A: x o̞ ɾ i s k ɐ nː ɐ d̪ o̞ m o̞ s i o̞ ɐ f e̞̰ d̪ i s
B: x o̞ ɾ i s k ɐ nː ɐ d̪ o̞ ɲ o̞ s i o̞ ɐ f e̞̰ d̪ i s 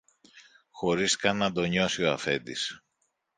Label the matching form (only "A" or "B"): B